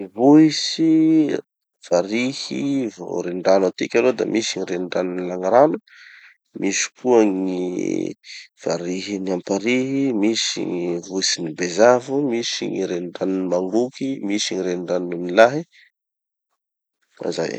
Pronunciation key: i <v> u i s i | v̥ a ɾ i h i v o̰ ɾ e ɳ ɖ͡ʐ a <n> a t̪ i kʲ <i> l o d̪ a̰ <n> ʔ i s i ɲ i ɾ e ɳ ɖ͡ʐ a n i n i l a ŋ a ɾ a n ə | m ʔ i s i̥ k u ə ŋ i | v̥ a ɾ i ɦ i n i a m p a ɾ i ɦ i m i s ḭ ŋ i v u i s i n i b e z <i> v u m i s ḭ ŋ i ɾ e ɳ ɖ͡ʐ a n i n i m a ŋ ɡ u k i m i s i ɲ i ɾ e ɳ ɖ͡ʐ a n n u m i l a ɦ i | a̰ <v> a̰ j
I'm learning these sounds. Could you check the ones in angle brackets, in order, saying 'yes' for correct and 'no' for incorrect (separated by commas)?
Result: yes, yes, no, no, no, no